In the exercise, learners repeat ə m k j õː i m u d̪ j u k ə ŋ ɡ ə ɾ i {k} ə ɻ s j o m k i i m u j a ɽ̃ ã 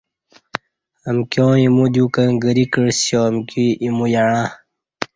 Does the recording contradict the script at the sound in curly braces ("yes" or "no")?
no